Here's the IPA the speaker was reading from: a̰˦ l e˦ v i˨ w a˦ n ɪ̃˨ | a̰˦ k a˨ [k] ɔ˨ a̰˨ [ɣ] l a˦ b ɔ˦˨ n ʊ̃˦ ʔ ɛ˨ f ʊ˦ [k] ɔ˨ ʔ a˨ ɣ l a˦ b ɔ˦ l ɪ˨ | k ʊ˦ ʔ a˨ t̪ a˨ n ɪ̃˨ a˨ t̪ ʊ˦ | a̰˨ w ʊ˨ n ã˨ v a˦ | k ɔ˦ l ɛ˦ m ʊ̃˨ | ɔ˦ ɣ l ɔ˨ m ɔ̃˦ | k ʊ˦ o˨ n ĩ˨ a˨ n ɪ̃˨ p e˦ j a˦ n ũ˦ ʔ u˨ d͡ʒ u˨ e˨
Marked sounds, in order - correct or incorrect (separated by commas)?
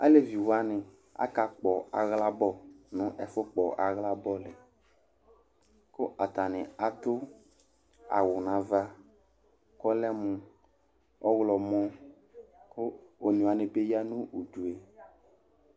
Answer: incorrect, correct, incorrect